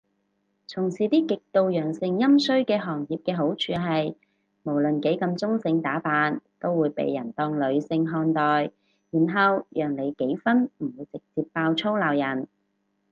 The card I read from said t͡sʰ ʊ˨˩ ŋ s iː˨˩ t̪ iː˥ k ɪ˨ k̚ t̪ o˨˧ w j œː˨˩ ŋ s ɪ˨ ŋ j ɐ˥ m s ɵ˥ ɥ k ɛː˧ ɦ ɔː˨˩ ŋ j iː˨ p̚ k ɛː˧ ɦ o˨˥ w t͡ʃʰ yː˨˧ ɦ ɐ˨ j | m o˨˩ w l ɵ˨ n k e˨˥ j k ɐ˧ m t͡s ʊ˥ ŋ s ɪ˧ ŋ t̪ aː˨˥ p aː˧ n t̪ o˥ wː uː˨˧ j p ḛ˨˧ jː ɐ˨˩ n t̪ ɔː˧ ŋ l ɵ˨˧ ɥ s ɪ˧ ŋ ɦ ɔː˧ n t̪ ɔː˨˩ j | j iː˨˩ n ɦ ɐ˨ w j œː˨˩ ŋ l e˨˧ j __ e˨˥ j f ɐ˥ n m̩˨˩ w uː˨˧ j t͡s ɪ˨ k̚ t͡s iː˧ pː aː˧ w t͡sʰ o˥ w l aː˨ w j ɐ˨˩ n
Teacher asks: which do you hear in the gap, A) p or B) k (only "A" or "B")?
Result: B